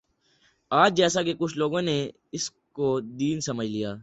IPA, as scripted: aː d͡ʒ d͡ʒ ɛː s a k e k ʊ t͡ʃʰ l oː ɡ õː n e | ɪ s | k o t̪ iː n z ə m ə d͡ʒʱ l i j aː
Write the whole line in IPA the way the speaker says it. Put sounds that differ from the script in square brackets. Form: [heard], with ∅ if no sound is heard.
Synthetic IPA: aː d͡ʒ d͡ʒ ɛː s a k e k ʊ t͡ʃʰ l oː ɡ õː n e | ɪ s | k o [d̪] iː n [s] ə m ə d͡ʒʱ l i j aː